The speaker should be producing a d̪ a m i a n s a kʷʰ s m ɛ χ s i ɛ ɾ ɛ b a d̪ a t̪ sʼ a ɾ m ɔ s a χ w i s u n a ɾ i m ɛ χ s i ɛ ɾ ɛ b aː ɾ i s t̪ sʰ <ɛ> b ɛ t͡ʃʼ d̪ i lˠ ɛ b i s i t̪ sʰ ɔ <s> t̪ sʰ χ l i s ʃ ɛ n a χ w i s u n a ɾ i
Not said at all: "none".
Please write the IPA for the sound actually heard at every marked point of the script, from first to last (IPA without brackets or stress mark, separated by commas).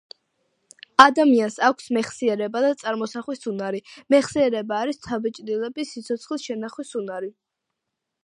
a, none